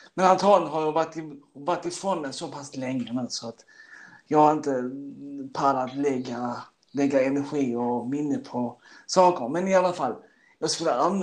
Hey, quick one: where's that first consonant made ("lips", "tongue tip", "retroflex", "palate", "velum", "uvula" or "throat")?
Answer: lips